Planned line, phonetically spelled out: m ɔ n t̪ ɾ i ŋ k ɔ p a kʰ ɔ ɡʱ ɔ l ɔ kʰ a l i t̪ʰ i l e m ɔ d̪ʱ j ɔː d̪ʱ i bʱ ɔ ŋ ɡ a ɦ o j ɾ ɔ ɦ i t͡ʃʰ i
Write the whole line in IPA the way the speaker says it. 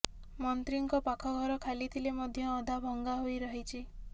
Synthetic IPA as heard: m ɔ n t̪ ɾ i ŋ k ɔ p a kʰ ɔ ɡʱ ɔ ɾ ɔ kʰ a l i t̪ʰ i l e m ɔ d̪ʱ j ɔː d̪ʱ a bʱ ɔ ŋ ɡ a ɦ o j ɾ ɔ ɦ i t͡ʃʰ i